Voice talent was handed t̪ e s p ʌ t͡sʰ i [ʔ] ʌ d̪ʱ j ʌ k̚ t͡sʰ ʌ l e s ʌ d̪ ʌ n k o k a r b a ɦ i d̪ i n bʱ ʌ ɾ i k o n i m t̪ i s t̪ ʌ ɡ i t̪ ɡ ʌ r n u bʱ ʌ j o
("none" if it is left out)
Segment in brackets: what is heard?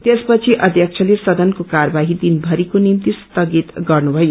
ʔ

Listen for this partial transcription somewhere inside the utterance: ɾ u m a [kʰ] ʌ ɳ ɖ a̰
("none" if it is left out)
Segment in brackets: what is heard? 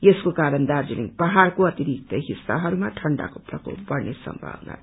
ʈʰ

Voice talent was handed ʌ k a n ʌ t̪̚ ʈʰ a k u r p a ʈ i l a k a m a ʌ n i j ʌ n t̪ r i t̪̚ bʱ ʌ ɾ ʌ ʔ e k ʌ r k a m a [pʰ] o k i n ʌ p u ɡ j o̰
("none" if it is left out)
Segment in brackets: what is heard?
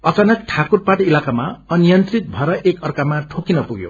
ʈʰ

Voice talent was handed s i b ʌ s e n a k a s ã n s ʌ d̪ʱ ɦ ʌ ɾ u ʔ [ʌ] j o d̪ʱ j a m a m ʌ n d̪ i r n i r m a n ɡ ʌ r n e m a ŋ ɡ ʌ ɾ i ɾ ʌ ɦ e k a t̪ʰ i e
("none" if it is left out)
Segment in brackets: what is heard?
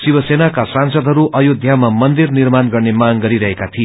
ʌ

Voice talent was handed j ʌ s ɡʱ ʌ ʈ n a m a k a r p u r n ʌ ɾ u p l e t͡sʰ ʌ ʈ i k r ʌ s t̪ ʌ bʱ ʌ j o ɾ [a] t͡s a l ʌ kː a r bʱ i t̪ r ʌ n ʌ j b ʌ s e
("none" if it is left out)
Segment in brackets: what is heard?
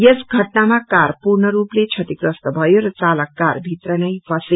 ʌ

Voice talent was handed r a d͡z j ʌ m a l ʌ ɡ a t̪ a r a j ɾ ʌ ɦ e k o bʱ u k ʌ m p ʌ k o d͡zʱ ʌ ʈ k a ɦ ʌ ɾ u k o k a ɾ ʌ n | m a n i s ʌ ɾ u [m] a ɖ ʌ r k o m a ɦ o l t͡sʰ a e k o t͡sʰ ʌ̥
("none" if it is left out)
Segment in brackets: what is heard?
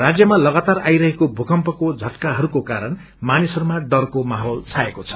m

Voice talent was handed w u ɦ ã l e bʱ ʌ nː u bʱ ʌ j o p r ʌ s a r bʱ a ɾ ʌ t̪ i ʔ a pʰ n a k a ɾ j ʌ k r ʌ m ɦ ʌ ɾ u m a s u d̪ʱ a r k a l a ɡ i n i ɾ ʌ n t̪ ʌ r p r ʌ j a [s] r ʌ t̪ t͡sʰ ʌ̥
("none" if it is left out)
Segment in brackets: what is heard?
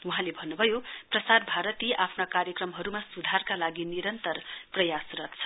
s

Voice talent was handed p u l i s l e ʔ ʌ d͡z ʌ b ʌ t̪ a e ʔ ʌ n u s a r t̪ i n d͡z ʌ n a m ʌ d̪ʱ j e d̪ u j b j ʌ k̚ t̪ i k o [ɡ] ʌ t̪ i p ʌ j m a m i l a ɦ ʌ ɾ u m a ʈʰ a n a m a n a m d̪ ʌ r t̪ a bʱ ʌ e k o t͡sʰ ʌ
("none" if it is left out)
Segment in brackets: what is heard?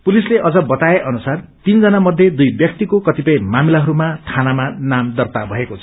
k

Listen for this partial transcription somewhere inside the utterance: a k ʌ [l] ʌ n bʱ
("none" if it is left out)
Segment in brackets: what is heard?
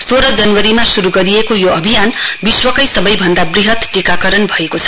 ɾ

